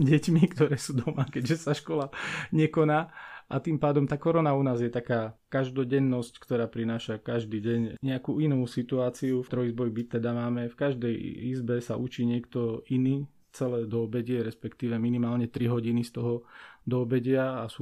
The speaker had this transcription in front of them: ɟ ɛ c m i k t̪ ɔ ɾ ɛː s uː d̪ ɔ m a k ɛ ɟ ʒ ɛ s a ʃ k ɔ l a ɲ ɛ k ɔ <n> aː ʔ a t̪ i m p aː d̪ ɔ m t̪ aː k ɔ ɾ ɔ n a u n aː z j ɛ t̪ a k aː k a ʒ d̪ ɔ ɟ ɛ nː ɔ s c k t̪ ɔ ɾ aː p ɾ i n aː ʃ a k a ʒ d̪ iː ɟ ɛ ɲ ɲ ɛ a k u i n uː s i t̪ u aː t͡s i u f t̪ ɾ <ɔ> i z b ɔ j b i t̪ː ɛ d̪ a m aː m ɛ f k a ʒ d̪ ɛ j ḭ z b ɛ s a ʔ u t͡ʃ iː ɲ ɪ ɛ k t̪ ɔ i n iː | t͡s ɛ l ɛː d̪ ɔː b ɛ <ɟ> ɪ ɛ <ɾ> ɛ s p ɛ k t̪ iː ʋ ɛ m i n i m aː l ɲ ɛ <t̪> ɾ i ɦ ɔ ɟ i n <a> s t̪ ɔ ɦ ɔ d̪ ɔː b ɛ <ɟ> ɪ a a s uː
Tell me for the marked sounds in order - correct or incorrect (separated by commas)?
correct, correct, correct, correct, correct, incorrect, correct